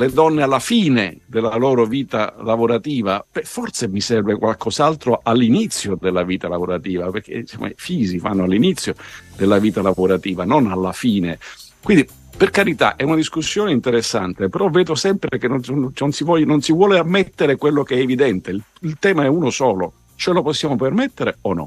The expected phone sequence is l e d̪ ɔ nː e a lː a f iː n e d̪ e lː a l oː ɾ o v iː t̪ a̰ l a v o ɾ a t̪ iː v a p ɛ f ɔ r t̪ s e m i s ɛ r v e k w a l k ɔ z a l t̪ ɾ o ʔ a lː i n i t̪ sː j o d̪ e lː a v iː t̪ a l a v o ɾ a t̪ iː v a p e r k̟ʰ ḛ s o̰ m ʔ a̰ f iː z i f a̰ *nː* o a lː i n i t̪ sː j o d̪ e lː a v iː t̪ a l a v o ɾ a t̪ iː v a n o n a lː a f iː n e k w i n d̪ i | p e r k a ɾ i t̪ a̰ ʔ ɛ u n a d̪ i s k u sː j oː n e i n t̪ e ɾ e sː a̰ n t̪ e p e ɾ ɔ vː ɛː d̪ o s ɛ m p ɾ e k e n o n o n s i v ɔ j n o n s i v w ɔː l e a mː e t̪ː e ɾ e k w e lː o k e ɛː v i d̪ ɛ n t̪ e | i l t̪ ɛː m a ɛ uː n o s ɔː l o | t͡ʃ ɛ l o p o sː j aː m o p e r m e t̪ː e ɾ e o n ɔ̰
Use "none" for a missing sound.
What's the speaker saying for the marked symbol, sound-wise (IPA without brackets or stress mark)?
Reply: nː